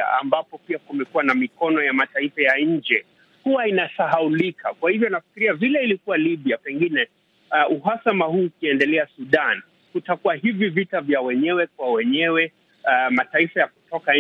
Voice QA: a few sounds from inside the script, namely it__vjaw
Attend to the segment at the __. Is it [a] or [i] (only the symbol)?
a